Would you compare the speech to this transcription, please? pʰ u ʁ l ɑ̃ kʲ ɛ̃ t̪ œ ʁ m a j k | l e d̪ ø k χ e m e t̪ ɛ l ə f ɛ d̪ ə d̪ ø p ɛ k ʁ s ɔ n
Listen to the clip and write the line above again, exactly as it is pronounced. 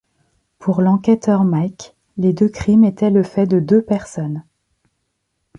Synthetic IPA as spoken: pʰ u ʁ l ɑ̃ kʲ ɛ t̪ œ ʁ m a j k | l e d̪ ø k χ i m e t̪ ɛ l ə f ɛ d̪ ə d̪ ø p ɛ ʁ s ɔ n